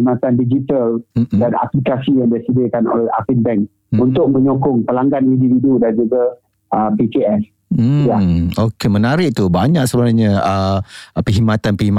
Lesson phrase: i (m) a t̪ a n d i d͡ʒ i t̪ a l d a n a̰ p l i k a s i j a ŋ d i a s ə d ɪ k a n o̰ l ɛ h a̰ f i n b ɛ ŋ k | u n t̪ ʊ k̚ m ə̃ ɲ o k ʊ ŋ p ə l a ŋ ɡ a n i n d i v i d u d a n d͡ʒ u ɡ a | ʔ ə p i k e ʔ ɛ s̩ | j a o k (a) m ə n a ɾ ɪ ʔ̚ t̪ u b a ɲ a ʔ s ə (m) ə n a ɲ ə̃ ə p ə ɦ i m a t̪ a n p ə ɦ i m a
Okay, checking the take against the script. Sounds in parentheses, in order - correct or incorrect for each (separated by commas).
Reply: correct, incorrect, incorrect